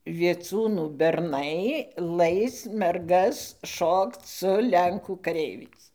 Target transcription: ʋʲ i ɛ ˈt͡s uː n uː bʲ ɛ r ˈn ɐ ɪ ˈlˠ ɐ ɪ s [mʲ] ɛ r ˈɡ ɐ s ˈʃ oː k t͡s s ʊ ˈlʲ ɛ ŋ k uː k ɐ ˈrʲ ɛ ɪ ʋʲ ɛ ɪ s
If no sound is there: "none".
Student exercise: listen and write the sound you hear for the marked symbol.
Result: mʲ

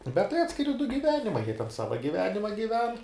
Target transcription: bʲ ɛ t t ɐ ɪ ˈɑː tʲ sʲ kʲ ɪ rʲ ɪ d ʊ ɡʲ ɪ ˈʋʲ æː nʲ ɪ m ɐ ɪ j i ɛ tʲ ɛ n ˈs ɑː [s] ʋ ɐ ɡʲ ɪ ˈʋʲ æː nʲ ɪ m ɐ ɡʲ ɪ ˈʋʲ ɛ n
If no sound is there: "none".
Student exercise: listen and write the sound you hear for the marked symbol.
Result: none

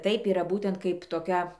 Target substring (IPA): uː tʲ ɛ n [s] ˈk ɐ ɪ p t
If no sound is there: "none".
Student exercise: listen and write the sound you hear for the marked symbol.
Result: t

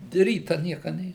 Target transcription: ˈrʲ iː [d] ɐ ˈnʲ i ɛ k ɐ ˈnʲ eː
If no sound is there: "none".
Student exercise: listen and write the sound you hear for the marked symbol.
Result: t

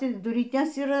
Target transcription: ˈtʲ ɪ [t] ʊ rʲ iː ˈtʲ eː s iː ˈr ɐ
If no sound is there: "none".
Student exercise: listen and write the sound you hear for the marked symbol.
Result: d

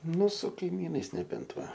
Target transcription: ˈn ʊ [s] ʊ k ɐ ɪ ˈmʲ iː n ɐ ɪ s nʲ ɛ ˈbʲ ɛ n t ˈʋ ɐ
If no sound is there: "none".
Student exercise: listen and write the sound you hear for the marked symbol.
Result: s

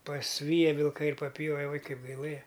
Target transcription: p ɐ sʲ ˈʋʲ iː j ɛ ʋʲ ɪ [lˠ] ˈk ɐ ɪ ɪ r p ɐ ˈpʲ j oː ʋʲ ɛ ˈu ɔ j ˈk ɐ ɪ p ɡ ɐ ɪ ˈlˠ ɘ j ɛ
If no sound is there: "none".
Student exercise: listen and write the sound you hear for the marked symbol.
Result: lˠ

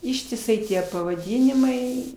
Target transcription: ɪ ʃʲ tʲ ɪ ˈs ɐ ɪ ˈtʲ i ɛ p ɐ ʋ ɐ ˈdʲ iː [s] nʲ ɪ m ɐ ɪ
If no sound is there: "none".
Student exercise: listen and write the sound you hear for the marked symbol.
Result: none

